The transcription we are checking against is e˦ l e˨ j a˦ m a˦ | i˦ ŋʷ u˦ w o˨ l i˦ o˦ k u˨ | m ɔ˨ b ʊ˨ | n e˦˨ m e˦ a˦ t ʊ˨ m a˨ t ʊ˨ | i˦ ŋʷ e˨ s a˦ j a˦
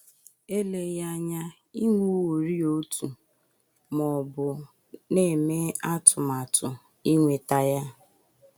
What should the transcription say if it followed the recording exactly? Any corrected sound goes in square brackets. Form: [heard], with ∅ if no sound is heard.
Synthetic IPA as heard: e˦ l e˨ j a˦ [ɲ] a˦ | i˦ ŋʷ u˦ w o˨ [ɾ] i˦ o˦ [t] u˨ | m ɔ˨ b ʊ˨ | n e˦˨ m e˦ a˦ t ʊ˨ m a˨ t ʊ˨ | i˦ ŋʷ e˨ [t] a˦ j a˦